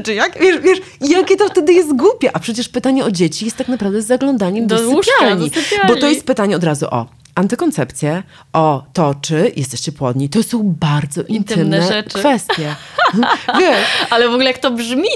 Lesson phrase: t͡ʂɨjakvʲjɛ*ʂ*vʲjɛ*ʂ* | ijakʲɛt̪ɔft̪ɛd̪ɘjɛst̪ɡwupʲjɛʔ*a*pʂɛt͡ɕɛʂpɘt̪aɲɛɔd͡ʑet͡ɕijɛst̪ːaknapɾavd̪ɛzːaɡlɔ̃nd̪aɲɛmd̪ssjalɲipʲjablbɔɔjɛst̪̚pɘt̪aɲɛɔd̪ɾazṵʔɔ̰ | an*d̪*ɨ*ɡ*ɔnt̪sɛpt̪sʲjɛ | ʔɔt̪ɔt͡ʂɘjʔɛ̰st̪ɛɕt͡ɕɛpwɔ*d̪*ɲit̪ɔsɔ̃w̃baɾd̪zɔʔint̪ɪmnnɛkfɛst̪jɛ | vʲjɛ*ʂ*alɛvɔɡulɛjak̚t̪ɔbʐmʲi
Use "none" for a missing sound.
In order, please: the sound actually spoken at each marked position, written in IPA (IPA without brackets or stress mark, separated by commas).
ʂ, ʂ, a, t̪, k, d̪, ʂ